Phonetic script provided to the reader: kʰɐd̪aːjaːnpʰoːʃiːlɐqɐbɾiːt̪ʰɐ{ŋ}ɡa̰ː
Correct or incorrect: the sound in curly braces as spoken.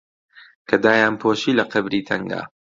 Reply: correct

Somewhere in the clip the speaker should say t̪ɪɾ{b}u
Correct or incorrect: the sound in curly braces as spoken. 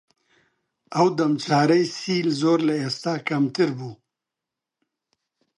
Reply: correct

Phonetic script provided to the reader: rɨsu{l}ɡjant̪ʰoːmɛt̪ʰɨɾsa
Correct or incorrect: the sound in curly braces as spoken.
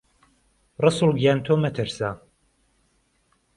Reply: correct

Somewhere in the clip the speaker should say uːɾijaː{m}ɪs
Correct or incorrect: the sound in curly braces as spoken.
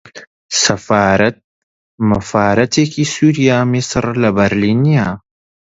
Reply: correct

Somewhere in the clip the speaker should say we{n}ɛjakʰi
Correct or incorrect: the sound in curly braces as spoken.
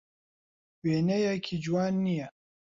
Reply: correct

